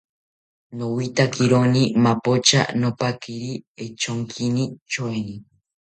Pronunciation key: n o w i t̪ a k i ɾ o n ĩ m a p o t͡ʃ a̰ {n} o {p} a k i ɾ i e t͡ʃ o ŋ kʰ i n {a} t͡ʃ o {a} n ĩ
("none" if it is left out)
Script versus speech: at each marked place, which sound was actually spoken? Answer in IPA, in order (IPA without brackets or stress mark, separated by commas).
n, p, i, e